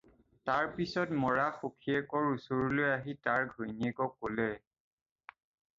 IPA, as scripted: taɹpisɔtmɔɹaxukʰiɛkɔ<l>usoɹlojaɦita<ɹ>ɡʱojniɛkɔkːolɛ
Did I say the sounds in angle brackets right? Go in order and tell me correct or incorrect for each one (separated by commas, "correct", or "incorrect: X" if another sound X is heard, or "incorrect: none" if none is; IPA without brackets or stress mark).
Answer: incorrect: ɹ, correct